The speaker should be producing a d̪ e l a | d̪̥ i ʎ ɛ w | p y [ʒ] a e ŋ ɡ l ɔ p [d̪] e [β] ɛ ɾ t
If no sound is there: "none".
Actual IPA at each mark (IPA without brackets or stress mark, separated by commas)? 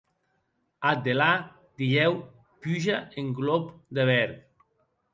ʒ, d̪, β